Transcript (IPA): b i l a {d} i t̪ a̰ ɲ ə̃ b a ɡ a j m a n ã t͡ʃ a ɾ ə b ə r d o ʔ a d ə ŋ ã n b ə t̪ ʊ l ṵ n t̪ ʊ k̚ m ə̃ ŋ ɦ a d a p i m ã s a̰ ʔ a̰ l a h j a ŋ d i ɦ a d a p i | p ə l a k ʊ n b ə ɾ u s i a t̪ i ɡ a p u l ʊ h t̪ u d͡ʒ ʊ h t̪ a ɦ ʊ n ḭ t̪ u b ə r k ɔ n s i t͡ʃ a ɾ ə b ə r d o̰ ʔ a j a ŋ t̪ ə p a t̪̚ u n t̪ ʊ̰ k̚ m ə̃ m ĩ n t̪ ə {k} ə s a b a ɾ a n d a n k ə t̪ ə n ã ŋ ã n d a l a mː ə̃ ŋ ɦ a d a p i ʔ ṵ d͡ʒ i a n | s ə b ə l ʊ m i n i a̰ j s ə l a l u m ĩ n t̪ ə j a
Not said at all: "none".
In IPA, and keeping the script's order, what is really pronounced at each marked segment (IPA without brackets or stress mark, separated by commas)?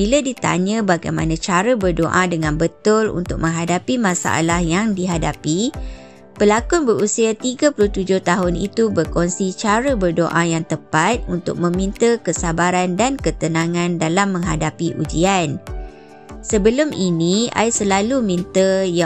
d, k